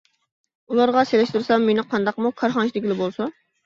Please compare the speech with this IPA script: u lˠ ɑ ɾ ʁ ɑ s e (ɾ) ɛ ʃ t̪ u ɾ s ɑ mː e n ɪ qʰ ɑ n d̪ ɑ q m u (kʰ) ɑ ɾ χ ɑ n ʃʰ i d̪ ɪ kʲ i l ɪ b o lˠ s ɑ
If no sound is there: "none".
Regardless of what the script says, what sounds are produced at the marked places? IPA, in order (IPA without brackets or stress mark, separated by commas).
l, kʰ